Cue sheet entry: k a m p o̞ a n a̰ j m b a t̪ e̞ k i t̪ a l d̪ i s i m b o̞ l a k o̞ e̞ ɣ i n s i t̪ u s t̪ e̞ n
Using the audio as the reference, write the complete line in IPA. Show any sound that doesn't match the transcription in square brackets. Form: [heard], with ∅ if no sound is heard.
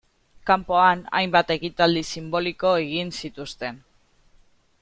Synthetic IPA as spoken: k a m p o̞ a n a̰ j m b a t̪ e̞ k i t̪ a l d̪ i s i m b o̞ l [i] k o̞ e̞ ɣ i n s i t̪ u s t̪ e̞ n